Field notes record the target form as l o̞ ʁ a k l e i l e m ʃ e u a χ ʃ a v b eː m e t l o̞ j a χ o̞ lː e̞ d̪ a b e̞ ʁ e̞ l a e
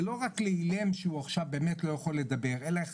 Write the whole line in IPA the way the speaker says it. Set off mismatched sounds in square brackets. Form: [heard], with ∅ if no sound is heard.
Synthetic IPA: l o̞ ʁ a k l e i l e m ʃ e u a χ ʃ a v b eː m e t l o̞ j a χ o̞ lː e̞ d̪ a b e̞ ʁ e̞ l a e